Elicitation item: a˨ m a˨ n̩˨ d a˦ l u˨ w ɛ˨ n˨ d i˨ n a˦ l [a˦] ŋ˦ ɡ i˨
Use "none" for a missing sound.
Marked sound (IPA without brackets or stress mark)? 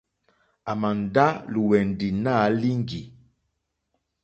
i˦